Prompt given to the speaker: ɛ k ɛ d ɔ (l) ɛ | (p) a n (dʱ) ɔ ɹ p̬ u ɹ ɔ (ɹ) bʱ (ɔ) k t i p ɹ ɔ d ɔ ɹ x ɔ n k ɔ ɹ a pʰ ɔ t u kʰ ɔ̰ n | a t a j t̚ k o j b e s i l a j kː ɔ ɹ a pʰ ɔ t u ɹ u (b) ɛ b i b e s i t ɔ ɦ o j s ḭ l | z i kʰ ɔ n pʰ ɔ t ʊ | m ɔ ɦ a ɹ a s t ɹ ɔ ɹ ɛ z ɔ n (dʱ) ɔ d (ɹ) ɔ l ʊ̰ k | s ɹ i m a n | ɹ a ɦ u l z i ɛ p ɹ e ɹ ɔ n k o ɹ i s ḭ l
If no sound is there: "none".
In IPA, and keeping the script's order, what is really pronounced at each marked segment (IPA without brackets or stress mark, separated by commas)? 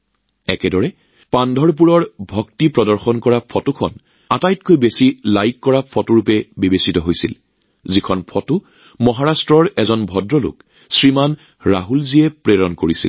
ɹ, p, dʱ, ɹ, ɔ, p, bʱ, ɹ